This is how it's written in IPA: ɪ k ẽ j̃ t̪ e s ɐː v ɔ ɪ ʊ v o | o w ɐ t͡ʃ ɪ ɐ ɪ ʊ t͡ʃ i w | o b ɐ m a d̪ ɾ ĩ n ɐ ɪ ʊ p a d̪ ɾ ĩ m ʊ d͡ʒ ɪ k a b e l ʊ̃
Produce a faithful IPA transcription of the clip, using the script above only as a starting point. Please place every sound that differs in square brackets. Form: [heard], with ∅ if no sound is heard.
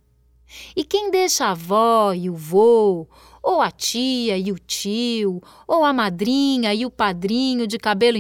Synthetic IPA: ɪ k ẽ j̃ [d̪] e [ʃ] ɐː v ɔ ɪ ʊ v o | o w ɐ t͡ʃ [i] ɐ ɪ ʊ t͡ʃ i w | o [w] ɐ m a d̪ ɾ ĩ [ɲ] ɐ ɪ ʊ p a d̪ ɾ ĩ [ɲ] ʊ d͡ʒ ɪ k a b e l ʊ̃